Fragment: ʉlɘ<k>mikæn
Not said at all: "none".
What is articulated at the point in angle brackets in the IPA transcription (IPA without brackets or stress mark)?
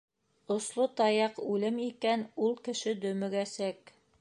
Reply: none